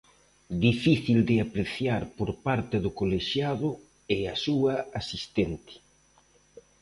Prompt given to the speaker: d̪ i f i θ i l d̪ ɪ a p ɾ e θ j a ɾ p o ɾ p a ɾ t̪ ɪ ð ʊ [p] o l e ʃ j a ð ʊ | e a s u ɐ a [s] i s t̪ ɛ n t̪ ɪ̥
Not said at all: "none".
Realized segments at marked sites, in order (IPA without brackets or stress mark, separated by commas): k, s